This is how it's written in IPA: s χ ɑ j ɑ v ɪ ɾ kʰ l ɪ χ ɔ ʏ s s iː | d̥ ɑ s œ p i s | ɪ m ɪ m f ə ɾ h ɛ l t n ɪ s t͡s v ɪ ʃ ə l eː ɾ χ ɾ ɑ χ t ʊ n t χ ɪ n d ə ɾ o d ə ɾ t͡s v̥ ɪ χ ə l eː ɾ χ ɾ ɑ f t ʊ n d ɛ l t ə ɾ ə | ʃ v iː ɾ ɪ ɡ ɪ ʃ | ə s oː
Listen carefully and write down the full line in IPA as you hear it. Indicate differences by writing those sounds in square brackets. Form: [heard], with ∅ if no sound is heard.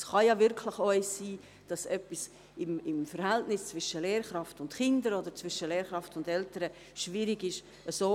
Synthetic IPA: s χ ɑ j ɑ v ɪ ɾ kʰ l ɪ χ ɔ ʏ s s iː | d̥ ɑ s œ p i s | ɪ m ɪ m f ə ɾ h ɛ l t n ɪ s t͡s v ɪ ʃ ə l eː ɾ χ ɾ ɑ [f] t ʊ n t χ ɪ n d ə ɾ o d ə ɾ t͡s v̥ ɪ [ʃ] ə l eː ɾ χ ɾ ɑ f t ʊ n d ɛ l t ə ɾ ə | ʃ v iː ɾ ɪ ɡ ɪ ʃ | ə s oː

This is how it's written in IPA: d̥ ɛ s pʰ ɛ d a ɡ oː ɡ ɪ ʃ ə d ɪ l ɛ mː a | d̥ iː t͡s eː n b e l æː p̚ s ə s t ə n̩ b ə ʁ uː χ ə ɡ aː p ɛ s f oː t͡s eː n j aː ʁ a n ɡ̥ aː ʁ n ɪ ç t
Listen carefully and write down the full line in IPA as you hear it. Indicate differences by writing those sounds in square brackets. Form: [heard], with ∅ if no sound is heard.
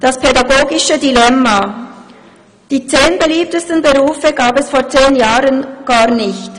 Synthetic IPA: d̥ [a] s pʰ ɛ d a ɡ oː ɡ ɪ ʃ ə d [i] l ɛ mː a | d̥ iː t͡s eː n b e l [iː] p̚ [t] ə s t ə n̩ b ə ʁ uː [f] ə ɡ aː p ɛ s f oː t͡s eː n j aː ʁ [ə] n ɡ̥ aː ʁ n ɪ ç t

